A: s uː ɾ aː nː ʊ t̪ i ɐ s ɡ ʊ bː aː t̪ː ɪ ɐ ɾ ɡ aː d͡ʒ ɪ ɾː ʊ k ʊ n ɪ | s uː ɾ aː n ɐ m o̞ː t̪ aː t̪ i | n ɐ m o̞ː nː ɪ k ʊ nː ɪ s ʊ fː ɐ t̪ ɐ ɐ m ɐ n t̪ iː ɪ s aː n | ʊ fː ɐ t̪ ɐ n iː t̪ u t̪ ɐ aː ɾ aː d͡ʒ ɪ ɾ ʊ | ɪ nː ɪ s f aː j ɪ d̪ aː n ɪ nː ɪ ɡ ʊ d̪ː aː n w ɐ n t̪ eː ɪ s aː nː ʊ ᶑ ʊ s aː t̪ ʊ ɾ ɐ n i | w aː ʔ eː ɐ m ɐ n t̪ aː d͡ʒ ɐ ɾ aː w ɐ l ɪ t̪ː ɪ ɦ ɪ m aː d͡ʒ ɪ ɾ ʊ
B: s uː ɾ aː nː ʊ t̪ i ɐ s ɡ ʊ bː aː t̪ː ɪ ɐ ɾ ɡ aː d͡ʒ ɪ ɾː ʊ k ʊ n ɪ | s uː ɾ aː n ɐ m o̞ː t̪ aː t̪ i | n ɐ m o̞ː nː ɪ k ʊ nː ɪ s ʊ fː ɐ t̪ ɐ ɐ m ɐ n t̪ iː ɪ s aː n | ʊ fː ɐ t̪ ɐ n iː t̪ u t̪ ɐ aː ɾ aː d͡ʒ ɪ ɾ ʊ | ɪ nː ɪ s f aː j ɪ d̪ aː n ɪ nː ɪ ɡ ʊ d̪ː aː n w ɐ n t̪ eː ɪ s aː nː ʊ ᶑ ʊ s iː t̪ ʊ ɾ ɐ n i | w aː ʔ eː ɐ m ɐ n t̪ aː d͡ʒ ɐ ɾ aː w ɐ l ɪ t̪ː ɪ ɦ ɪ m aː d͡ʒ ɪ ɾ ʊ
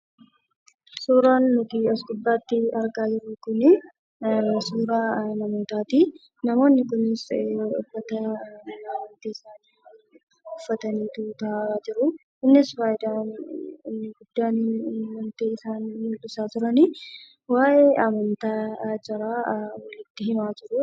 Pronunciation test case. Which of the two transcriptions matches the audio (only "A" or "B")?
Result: A